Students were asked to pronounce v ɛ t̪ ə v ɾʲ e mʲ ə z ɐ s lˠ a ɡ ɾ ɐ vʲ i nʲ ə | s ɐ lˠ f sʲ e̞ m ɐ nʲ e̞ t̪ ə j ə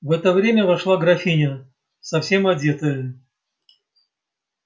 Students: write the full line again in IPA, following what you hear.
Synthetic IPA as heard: v ɛ t̪ ə v ɾʲ e mʲ ə v ɐ ʂ lˠ a ɡ ɾ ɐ fʲ i nʲ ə | s ɐ f sʲ e̞ m ɐ dʲ e̞ t̪ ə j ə